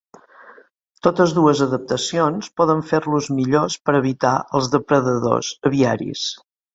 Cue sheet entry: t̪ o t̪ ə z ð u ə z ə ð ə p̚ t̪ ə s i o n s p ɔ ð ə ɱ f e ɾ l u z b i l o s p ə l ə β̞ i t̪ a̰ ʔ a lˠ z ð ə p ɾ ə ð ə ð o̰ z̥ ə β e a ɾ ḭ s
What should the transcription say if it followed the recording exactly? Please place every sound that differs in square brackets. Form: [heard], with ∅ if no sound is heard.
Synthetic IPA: t̪ o t̪ ə z ð u ə z ə ð ə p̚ t̪ ə s i o n s p ɔ ð ə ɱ f e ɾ l u z [m] i [ʎ] o s p ə [ɾ] ə β̞ i t̪ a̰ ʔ [ə] lˠ z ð ə p ɾ ə ð ə ð o̰ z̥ ə β [i] a ɾ ḭ s